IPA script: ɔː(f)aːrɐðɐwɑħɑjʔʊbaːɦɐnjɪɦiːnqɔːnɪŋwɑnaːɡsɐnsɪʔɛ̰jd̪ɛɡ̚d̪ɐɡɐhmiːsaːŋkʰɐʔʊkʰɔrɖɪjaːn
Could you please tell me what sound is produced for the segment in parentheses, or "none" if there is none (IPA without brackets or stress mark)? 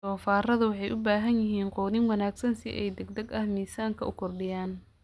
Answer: f